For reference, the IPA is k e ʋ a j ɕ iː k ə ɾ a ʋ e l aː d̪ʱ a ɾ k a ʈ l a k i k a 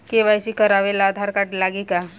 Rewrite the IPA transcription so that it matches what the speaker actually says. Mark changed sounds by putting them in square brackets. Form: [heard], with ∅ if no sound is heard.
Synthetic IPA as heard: k e ʋ a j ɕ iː k ə ɾ a ʋ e l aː d̪ʱ a ɾ k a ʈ l a [ɡ] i k a